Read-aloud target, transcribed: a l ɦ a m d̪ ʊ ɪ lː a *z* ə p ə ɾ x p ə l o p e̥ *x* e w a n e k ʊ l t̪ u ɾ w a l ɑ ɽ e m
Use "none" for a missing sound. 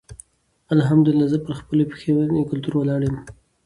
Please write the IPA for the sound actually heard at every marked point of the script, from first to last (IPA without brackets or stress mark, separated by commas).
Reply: z, x